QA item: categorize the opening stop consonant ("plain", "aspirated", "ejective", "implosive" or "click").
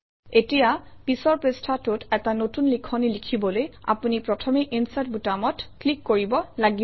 plain